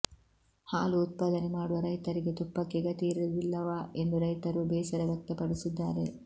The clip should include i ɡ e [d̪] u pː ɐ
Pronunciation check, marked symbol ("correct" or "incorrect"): incorrect